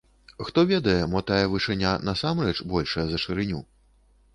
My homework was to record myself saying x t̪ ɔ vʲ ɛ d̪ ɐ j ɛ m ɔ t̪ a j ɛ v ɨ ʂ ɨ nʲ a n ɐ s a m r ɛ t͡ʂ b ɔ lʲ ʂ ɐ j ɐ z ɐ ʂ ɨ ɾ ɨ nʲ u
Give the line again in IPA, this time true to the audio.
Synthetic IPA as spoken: x t̪ ɔ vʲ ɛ d̪ ɐ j ɛ m ɔ t̪ a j ɛ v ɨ ʂ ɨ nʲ a n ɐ s a m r ɛ t͡ʂ b ɔ lʲ ʂ ɐ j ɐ z ɐ ʂ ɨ ɾ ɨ nʲ u